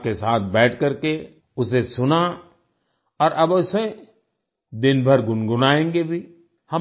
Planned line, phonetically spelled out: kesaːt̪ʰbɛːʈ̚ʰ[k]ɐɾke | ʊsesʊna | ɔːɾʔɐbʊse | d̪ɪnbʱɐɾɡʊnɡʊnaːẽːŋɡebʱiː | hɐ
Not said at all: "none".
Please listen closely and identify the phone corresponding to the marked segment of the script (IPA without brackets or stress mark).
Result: k